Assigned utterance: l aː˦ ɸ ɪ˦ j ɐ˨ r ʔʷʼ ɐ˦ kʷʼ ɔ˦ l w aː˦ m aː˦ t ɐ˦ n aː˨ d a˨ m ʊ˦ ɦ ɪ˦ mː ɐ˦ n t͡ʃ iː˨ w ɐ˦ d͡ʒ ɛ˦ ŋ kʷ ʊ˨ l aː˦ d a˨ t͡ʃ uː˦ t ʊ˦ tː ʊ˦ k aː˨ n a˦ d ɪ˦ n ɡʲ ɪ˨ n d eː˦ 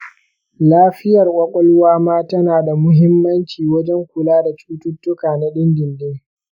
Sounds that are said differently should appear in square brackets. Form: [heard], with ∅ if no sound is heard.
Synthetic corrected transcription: l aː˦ ɸ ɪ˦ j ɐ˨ r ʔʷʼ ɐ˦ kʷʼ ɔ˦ l w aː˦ m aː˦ t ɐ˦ n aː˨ d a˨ m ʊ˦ ɦ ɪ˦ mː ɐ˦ n t͡ʃ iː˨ w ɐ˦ d͡ʒ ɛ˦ ŋ kʷ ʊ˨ l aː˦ d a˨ t͡ʃ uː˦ t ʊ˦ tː ʊ˦ k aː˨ n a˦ [ɗ] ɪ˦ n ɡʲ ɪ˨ n d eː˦